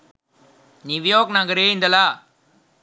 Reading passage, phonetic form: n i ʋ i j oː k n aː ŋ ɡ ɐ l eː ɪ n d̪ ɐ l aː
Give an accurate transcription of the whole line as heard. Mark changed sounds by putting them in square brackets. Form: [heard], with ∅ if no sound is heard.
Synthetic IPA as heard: n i ʋ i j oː k n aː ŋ ɡ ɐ [ɾ] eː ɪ n d̪ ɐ l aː